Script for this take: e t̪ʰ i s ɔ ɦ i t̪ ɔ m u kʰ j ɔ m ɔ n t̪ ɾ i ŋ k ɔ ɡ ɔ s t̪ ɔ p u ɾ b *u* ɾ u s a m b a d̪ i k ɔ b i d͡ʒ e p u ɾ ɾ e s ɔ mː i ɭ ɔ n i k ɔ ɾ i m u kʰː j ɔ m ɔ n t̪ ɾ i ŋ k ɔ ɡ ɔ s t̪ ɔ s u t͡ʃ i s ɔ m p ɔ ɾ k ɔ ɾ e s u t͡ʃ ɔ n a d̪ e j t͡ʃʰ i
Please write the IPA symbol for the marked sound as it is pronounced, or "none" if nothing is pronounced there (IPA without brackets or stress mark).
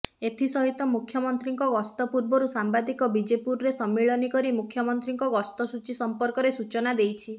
ɔ